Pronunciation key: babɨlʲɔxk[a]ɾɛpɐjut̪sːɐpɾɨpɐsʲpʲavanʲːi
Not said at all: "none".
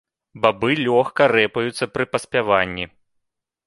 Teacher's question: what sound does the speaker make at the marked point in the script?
ɐ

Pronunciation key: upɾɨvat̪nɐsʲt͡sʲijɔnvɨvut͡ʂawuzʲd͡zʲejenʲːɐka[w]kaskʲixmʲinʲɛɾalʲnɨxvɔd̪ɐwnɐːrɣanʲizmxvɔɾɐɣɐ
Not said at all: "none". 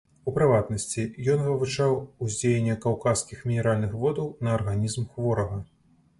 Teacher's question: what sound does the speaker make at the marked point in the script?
w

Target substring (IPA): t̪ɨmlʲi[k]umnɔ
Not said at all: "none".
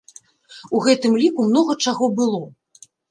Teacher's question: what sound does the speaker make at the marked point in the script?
k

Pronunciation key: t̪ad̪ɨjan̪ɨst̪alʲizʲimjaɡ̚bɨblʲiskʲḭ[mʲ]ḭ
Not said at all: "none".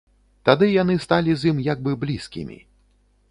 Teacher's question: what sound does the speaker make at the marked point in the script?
mʲ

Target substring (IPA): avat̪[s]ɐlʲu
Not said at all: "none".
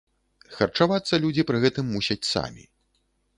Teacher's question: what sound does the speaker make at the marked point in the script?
sː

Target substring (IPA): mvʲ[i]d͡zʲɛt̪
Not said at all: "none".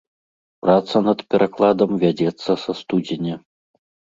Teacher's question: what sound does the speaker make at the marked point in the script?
a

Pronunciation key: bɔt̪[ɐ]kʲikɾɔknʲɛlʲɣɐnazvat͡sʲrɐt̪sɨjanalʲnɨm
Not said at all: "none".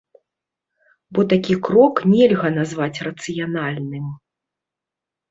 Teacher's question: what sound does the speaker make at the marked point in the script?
a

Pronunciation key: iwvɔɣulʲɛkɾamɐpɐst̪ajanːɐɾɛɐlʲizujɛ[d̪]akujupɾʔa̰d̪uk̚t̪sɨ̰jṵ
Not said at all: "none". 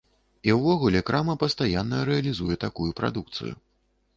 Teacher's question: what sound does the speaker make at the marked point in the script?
t̪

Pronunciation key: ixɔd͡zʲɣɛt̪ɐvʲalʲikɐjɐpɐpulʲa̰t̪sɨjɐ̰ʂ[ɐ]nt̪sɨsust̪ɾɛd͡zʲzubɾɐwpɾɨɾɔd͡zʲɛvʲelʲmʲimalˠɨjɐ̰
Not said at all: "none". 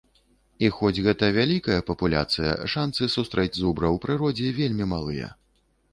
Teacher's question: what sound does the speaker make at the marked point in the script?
a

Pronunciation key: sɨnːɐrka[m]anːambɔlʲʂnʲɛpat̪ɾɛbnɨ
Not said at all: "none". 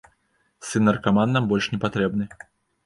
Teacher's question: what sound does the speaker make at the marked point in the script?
m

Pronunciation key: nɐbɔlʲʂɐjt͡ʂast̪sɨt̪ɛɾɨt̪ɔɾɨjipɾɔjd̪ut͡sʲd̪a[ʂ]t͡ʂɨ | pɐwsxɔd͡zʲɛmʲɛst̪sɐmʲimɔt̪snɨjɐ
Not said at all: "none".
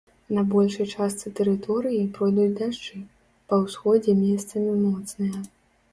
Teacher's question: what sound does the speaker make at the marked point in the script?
ʂ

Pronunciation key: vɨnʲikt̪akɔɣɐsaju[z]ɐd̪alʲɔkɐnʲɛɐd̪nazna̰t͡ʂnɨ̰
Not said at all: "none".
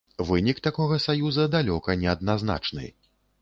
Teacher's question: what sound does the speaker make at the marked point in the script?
z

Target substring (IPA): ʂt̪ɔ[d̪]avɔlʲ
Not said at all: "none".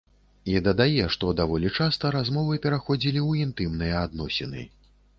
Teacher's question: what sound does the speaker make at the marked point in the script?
d̪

